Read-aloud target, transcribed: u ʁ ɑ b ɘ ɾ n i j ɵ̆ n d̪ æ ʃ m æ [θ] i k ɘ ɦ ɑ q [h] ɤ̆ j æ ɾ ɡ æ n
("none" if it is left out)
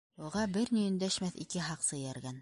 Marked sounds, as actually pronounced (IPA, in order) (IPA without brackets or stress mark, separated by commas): θ, s